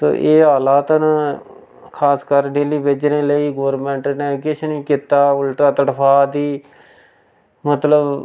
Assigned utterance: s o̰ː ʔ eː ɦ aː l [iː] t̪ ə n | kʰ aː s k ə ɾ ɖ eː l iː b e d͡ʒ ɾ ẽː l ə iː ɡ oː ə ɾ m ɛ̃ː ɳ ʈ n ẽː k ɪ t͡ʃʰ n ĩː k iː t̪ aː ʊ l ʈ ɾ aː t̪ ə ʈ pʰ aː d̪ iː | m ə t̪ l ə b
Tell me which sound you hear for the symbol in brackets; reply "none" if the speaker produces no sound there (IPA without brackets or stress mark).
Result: aː